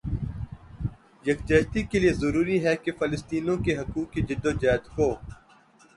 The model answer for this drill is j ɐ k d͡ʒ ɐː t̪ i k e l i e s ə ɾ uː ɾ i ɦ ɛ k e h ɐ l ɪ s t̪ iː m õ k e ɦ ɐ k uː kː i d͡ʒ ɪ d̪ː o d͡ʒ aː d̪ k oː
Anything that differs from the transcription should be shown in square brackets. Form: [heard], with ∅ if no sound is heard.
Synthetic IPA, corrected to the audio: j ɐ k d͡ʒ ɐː t̪ i k e l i e [z] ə ɾ uː ɾ i ɦ ɛ k e [f] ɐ l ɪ s t̪ iː [n] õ k e ɦ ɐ k uː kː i d͡ʒ ɪ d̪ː o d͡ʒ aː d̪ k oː